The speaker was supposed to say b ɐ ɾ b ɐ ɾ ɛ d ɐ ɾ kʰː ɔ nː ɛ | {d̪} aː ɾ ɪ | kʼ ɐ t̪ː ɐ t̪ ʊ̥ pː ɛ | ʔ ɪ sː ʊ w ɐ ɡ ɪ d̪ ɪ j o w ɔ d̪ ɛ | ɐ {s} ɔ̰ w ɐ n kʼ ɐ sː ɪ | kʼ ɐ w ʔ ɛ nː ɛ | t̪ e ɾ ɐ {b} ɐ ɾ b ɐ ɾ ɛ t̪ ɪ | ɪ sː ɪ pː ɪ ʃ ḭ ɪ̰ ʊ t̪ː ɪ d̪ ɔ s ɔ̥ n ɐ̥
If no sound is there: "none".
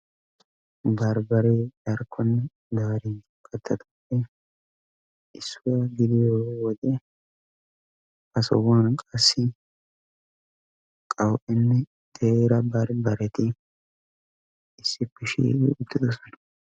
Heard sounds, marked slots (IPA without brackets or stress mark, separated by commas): d̪, s, b